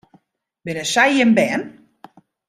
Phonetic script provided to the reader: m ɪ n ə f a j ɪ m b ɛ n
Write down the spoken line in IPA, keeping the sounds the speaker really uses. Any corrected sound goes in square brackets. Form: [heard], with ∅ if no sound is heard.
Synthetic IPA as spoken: [b] ɪ n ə [s] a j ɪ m b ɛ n